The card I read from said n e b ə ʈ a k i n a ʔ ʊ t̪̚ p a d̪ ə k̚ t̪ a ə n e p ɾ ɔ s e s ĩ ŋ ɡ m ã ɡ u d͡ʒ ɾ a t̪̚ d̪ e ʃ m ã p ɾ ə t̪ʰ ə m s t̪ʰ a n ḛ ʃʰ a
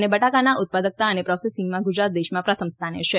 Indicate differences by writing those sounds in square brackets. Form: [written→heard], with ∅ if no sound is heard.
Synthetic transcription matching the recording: n e b ə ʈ a k [i→a] n a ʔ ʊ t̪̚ p a d̪ ə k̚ t̪ a ə n e p ɾ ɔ s e s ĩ ŋ ɡ m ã ɡ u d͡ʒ ɾ a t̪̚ d̪ e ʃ m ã p ɾ ə t̪ʰ ə m s t̪ʰ a n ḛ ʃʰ [a→e]